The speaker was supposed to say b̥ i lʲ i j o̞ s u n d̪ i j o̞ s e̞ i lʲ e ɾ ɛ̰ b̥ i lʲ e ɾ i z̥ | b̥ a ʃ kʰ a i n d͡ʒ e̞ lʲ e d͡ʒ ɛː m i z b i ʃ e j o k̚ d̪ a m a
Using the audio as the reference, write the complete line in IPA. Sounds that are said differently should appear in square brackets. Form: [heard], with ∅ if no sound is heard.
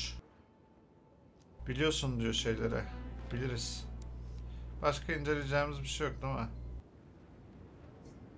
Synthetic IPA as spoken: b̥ i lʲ i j o̞ s u n d̪ i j o̞ [ʃ] e̞ [j] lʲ e ɾ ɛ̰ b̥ i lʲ [i] ɾ i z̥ | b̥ a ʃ kʰ a i n d͡ʒ e̞ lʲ e d͡ʒ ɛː m i z b i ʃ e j o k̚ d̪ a m a

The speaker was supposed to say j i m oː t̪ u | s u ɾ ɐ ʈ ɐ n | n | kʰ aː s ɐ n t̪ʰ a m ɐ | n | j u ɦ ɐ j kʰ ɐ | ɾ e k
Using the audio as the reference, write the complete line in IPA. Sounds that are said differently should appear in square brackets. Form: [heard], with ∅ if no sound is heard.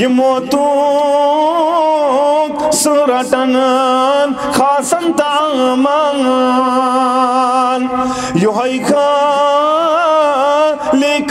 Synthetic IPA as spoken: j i m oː t̪ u | s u ɾ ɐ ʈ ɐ n | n | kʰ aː s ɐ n [t̪] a m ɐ | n | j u ɦ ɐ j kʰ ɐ | [l] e k

